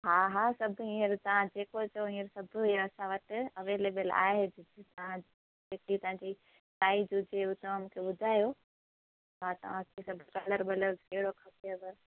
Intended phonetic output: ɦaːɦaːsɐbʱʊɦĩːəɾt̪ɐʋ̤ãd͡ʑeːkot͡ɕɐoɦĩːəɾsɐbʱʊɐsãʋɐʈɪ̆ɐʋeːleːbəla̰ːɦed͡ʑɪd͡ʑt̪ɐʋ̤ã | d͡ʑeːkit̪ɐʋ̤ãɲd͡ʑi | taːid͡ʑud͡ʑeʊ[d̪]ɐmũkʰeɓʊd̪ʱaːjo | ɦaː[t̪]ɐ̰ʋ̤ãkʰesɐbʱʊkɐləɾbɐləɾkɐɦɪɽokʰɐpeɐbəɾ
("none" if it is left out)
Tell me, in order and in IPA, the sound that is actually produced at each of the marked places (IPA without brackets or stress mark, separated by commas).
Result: t̪, t̪